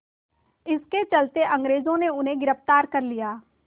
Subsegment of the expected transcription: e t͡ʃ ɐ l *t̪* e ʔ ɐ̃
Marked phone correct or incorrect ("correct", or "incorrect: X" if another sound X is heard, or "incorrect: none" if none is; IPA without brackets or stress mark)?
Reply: correct